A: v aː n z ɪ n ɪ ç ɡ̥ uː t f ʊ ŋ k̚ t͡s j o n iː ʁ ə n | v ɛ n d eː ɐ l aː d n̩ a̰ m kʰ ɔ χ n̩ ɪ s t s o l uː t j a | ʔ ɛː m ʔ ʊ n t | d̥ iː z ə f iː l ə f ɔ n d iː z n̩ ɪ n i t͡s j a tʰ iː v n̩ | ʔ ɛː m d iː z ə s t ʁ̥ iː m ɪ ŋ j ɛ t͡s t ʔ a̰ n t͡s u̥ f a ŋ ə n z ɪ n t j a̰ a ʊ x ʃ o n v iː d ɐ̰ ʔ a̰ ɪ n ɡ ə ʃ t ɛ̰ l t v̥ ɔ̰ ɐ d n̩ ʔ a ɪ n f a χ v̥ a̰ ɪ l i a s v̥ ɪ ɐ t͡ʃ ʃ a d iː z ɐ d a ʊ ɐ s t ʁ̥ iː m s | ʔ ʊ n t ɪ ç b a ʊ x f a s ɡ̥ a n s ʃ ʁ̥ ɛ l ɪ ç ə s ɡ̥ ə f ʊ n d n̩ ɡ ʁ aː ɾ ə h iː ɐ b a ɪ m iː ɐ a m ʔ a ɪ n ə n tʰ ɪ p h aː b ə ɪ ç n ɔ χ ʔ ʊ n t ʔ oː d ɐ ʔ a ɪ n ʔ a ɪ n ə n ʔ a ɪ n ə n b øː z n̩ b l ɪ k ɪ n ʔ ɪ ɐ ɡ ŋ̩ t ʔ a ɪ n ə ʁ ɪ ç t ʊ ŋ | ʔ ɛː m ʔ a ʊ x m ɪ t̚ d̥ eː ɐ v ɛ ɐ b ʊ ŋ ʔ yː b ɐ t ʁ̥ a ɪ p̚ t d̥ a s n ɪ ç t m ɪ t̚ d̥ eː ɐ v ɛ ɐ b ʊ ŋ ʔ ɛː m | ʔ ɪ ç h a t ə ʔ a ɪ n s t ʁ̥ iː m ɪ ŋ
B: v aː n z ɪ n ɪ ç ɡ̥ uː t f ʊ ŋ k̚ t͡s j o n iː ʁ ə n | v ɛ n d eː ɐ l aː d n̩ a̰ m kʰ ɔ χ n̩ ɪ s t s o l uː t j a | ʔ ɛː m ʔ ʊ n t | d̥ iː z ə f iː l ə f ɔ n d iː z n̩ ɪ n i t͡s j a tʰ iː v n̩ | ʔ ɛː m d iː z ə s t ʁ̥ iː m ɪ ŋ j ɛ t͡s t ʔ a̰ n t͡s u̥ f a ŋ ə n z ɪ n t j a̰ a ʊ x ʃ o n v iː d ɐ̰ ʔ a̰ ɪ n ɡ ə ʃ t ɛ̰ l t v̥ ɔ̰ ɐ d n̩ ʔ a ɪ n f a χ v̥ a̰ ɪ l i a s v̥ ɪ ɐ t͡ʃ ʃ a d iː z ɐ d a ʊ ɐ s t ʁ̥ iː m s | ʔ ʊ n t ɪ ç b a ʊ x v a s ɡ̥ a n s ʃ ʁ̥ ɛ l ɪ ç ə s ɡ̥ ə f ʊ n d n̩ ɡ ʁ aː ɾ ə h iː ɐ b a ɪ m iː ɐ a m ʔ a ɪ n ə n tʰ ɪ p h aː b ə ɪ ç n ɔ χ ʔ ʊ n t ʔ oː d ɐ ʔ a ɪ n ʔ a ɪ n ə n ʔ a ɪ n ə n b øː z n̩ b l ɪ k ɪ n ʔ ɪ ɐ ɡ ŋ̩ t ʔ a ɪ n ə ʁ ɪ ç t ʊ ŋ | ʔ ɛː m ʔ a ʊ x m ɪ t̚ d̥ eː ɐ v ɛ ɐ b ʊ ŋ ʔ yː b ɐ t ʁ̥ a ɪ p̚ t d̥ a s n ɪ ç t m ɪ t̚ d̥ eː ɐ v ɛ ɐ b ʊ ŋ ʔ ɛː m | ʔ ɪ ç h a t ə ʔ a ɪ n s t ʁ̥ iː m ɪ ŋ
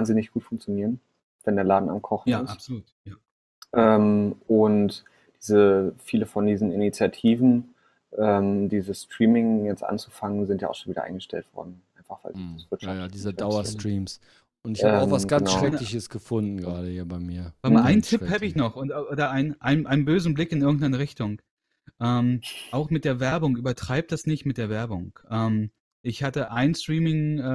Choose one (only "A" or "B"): B